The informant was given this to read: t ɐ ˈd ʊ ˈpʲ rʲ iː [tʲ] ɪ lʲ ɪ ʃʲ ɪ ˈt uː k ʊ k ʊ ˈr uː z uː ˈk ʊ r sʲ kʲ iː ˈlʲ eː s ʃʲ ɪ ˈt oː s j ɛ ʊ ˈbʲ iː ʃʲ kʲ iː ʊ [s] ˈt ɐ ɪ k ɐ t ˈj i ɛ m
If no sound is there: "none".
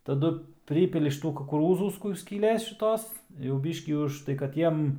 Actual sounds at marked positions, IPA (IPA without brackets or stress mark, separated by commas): pʲ, ʃ